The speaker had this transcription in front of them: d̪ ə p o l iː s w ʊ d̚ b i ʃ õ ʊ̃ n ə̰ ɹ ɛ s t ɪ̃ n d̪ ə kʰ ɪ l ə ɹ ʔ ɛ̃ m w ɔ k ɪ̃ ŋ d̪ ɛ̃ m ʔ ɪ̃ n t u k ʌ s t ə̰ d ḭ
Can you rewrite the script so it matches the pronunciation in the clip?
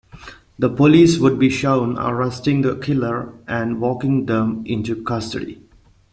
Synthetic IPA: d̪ ə p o l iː s w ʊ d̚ b i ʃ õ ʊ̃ n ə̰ ɹ ɛ s t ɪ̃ ŋ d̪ ə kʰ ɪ l ə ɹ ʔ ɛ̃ n w ɔ k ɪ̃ ŋ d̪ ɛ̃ m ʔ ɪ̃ n t u k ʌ s t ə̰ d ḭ